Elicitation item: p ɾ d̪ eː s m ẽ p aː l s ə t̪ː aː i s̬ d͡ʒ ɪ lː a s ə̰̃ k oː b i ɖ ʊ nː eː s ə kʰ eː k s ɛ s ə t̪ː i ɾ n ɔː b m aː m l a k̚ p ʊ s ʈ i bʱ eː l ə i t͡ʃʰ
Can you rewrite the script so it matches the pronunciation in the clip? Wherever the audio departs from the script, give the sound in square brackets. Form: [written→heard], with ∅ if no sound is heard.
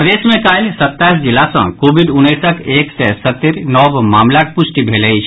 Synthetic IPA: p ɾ d̪ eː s m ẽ [p→k] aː l s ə t̪ː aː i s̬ d͡ʒ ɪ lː a s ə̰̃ k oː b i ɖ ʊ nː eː s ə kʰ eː k s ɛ s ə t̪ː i ɾ n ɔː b m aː m l a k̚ p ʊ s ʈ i bʱ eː l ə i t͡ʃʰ